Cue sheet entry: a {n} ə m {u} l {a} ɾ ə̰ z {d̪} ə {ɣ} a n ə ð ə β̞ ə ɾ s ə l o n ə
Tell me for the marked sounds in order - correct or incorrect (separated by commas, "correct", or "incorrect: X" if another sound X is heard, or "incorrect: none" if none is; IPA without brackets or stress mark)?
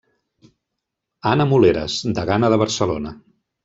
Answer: correct, correct, incorrect: e, correct, correct